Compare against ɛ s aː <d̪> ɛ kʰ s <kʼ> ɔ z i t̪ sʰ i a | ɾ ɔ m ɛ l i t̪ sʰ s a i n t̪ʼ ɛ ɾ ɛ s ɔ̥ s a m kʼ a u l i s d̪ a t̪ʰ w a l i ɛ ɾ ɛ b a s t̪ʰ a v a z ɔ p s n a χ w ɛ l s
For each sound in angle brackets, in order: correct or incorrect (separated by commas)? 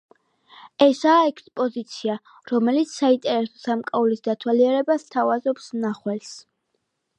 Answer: incorrect, incorrect